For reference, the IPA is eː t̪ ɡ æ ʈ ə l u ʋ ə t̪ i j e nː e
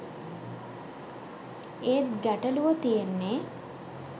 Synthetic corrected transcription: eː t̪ ɡ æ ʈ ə l u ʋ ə t̪ i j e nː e